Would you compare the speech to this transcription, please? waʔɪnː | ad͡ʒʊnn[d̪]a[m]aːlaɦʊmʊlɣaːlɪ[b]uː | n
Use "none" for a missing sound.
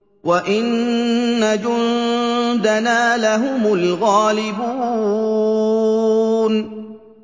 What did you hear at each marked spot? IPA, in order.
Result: d̪, n, b

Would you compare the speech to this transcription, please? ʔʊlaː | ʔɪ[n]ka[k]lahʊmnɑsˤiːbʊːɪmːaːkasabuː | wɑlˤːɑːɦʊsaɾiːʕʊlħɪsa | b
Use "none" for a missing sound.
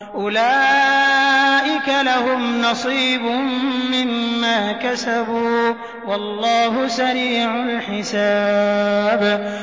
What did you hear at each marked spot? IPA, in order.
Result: none, none

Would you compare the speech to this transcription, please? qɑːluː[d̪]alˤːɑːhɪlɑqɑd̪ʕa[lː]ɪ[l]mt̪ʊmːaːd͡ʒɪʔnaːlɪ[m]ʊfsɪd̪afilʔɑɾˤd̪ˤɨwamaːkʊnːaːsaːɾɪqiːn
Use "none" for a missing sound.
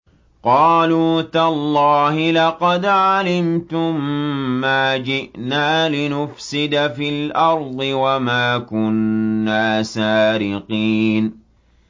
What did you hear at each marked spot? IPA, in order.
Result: t̪, l, none, n

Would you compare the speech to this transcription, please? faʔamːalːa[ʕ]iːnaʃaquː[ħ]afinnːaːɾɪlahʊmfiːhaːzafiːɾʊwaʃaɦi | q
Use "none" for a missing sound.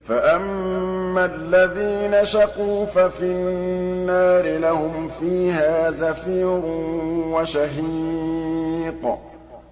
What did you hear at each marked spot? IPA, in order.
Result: ð, f

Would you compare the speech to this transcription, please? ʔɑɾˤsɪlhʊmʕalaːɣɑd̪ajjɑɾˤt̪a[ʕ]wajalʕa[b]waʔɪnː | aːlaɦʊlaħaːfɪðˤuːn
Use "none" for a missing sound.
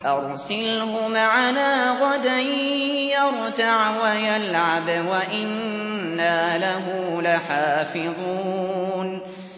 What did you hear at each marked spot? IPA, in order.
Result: ʕ, b

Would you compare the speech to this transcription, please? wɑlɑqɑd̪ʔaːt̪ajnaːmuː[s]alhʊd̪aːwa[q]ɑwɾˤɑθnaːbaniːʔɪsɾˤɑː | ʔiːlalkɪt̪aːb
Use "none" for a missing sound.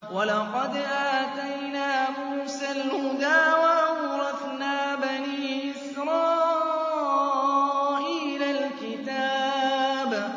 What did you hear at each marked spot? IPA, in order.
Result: s, ʔ

